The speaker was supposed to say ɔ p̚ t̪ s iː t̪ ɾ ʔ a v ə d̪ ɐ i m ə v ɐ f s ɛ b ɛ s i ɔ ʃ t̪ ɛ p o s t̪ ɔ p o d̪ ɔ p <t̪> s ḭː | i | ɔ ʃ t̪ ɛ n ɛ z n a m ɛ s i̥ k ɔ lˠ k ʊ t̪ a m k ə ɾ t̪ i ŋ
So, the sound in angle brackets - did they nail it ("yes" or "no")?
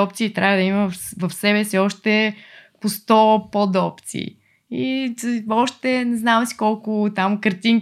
yes